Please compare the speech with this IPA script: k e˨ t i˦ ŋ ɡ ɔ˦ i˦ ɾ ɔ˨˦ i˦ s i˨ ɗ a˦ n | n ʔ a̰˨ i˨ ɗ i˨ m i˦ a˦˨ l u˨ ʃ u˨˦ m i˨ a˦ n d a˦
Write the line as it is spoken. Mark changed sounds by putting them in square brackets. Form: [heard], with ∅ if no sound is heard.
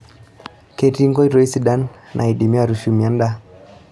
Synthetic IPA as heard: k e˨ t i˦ ŋ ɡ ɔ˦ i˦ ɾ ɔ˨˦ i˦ s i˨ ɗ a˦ n | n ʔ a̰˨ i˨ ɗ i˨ m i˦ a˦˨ [ɾ] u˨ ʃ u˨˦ m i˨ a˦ n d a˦